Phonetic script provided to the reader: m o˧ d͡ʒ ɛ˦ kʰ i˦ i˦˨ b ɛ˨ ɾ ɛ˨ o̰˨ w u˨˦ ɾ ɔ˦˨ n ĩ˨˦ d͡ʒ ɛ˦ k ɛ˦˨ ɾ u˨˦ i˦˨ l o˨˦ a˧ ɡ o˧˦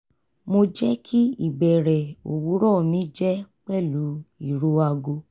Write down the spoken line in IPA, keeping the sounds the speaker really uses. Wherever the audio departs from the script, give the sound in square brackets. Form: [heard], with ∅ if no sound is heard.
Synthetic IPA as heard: m o˧ d͡ʒ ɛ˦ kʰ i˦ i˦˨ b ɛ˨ ɾ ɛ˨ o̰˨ w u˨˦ ɾ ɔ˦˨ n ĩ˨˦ d͡ʒ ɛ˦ [k͡p] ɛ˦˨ [l] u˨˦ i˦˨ [ɾ] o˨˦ a˧ ɡ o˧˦